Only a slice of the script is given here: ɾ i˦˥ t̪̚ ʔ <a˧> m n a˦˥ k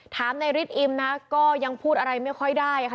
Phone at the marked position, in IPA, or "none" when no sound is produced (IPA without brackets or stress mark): i˧